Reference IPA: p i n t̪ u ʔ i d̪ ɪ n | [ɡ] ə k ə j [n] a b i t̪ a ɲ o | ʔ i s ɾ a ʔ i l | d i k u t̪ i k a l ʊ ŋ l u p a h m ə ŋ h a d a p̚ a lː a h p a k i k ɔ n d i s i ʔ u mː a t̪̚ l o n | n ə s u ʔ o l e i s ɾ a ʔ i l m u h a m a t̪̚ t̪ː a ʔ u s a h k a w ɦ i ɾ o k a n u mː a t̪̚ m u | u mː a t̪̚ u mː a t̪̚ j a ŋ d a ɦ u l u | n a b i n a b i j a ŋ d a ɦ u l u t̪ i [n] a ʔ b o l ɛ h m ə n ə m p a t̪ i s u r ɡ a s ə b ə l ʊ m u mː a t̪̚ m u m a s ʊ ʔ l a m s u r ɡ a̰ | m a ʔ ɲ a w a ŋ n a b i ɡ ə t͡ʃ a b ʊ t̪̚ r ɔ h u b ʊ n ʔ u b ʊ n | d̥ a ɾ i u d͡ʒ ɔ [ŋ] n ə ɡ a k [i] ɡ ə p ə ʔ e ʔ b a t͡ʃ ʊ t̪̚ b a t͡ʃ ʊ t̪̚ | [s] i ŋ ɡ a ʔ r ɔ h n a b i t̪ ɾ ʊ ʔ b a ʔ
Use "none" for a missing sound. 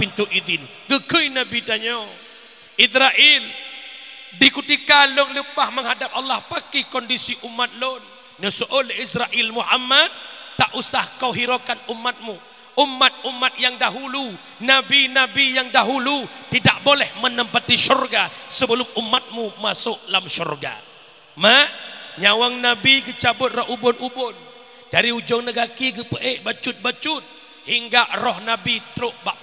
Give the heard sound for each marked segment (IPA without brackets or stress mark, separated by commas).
ɡ, n, d, ŋ, i, h